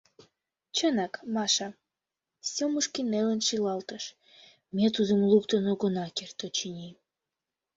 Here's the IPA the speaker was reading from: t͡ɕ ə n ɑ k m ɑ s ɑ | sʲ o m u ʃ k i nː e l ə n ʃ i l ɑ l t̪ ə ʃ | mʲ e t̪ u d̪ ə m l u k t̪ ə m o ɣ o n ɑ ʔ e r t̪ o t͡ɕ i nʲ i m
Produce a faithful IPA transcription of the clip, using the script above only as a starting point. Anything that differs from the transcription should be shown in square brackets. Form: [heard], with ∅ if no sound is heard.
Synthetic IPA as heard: t͡ɕ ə n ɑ k m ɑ [ʃ] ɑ | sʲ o m u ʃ k i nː e l ə n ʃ i l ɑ l t̪ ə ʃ | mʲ e t̪ u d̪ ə m l u k t̪ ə [n] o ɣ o n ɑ [k] e r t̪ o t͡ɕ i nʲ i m